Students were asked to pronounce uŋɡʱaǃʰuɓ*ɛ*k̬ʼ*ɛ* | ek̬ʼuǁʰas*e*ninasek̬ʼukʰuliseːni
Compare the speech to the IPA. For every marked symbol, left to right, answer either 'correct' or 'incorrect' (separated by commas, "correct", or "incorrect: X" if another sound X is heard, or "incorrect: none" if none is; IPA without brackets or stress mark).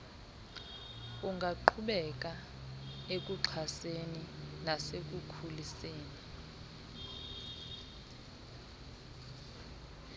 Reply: correct, incorrect: a, correct